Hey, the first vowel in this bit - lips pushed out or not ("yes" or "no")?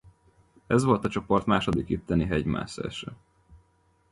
no